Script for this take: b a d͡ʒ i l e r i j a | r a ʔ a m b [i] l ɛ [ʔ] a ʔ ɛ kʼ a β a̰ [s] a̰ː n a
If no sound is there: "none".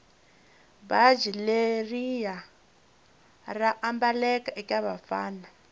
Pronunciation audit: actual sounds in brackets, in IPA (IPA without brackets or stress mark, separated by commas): a, k, f